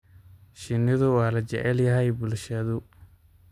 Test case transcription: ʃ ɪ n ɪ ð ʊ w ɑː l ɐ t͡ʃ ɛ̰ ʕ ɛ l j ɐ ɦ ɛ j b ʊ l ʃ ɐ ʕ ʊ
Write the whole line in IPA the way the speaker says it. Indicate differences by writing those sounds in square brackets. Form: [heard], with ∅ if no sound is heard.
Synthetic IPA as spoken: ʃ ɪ n ɪ ð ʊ w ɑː l ɐ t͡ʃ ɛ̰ ʕ ɛ l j ɐ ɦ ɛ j b ʊ l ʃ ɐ [ð] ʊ